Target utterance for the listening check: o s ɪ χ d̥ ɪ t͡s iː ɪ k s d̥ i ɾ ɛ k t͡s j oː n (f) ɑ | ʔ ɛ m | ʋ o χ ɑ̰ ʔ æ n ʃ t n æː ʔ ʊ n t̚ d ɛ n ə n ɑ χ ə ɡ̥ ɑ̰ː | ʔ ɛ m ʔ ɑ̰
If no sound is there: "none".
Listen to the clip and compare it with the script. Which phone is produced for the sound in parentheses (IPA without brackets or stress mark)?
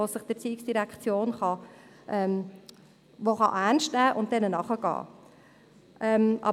χ